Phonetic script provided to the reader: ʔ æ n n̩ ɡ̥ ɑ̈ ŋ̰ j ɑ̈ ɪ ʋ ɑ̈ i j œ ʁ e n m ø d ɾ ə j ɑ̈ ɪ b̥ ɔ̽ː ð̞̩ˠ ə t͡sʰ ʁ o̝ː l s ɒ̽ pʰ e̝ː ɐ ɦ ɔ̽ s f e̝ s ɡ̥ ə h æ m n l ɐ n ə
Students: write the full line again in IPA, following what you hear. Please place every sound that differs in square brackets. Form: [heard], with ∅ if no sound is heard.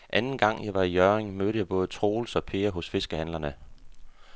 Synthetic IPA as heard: ʔ æ n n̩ ɡ̥ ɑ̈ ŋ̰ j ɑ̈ ɪ ʋ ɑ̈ i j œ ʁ e [ŋ] m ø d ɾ ə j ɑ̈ ɪ b̥ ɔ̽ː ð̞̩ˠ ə t͡sʰ ʁ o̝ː l s ɒ̽ pʰ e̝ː ɐ ɦ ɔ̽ s f e̝ s ɡ̥ ə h æ [∅] n l ɐ n ə